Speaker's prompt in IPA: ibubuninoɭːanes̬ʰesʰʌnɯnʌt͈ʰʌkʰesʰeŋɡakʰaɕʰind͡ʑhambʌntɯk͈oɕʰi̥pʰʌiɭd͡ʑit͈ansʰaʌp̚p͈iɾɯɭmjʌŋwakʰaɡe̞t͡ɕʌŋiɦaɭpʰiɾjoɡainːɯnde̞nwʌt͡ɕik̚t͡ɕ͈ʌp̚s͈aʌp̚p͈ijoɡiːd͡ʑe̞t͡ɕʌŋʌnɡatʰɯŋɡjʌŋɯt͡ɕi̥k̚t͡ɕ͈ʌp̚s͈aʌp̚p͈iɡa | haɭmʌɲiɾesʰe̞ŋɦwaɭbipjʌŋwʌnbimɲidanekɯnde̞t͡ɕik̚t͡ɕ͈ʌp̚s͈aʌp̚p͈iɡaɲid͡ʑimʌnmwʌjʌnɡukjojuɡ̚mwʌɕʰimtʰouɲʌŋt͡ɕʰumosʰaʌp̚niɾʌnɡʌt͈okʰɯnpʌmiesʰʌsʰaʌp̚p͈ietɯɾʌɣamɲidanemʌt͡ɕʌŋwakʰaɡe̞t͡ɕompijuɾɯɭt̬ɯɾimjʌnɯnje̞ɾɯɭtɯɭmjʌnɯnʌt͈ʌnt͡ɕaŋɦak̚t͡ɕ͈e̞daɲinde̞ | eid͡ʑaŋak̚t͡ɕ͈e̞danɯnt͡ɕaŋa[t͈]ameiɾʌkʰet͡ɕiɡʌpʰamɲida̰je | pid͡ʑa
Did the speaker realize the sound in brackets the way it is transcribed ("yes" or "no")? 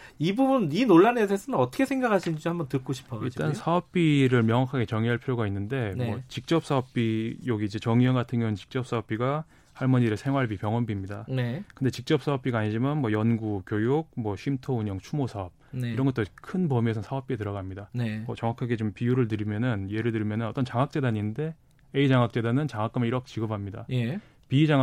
no